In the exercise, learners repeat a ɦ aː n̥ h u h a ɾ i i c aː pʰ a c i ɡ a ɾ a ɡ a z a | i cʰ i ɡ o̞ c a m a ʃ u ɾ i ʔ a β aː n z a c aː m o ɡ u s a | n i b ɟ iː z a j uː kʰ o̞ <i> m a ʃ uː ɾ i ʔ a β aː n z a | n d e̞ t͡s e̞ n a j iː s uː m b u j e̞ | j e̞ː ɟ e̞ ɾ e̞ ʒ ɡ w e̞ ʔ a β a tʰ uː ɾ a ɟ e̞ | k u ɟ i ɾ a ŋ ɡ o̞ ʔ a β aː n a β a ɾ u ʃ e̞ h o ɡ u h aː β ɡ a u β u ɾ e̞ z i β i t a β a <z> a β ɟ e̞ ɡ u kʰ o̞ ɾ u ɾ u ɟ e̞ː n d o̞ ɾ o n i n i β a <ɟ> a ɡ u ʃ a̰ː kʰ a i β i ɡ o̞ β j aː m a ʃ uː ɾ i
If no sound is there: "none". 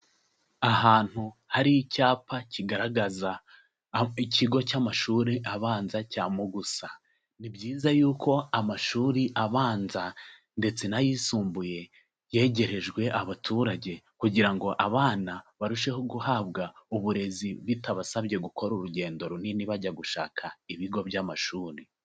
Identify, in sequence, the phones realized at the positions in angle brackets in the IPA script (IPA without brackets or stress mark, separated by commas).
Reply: a, s, ɟ